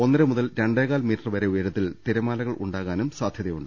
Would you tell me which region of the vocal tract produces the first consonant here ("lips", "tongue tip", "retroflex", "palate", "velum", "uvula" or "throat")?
tongue tip